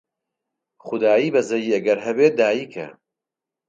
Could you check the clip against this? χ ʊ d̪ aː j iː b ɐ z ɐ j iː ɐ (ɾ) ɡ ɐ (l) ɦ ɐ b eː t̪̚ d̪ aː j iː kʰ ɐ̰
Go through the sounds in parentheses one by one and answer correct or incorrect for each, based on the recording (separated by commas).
incorrect, incorrect